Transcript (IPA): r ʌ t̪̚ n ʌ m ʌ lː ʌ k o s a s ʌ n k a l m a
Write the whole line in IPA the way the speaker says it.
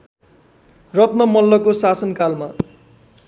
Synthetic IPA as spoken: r ʌ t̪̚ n ʌ m ʌ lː ʌ k o s a s ʌ n k a l m a